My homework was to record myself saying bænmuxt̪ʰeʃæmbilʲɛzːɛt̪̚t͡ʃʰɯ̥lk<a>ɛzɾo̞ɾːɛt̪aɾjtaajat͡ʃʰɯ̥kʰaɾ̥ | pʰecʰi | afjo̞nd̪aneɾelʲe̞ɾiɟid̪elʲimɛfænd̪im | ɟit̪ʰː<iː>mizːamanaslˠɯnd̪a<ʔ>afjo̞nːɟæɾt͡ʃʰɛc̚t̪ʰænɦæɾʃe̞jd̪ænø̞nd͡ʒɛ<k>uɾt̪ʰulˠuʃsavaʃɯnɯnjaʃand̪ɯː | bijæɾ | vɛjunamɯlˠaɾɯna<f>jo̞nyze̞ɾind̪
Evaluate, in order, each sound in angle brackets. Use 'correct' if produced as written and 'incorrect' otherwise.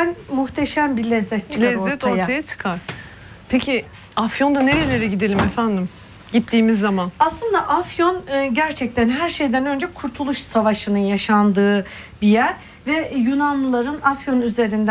correct, correct, correct, incorrect: kʰ, correct

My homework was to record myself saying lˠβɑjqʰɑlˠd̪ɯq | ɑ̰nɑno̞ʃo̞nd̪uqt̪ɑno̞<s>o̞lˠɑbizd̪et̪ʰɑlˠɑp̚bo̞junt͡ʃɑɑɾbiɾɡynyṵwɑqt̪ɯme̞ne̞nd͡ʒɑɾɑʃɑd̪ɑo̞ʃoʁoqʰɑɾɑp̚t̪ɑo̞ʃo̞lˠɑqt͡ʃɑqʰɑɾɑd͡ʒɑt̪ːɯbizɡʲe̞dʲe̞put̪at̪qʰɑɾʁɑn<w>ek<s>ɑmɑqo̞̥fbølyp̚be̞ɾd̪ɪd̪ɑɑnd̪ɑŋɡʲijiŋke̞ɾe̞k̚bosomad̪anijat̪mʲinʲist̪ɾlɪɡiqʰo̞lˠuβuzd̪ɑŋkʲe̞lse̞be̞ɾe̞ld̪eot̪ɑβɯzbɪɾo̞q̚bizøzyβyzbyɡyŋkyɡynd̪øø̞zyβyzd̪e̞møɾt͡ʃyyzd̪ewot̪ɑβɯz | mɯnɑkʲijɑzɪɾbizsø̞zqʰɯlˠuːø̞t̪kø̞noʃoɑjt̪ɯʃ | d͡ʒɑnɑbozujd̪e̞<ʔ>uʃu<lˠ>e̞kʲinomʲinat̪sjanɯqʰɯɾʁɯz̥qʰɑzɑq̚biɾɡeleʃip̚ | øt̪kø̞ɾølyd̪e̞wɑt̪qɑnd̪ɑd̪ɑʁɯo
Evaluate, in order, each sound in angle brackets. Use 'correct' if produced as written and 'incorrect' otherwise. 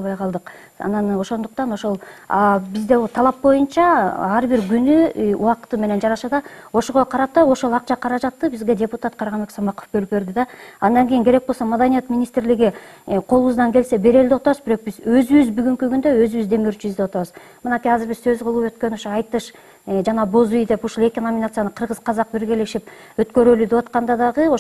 incorrect: ʃ, incorrect: b, correct, incorrect: p, correct

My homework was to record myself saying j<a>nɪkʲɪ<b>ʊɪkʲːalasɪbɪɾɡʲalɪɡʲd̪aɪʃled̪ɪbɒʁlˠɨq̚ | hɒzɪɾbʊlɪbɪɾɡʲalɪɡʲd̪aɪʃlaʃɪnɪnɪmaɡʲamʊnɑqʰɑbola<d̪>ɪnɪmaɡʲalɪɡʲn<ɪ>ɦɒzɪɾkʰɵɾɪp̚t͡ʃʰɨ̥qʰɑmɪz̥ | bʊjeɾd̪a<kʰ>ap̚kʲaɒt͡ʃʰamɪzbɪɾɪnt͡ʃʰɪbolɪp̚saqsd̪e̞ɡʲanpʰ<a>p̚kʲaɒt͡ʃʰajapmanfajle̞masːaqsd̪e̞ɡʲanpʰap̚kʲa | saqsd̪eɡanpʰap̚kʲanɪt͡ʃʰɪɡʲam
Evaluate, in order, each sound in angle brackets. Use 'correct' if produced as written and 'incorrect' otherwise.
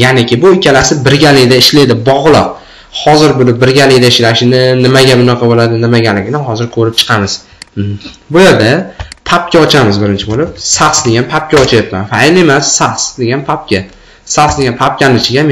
correct, correct, correct, correct, incorrect: pʰ, correct

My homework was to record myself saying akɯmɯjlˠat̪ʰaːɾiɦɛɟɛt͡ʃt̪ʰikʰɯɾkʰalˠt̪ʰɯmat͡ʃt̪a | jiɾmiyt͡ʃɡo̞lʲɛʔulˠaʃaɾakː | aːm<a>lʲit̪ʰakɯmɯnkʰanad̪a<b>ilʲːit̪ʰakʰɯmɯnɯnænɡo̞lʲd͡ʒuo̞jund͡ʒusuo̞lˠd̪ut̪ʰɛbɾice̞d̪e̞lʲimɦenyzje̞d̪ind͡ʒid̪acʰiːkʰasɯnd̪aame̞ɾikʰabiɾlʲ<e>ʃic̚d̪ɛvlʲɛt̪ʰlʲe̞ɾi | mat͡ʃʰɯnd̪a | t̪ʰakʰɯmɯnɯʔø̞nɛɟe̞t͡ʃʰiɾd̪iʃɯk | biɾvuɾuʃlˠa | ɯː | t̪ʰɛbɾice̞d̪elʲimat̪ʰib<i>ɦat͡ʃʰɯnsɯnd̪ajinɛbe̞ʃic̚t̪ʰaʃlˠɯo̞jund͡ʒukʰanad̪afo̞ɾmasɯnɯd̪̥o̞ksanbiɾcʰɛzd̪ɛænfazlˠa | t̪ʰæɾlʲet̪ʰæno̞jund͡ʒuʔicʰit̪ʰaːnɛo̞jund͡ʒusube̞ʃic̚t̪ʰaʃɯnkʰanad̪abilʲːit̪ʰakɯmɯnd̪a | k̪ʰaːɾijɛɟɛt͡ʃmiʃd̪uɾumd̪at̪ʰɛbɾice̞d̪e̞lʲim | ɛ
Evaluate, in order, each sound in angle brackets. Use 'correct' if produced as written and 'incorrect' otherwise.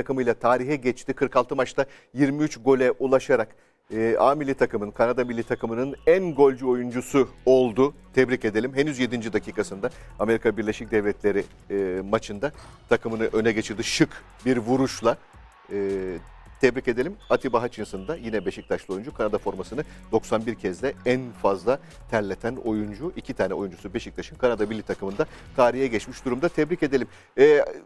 incorrect: i, incorrect: m, correct, incorrect: a

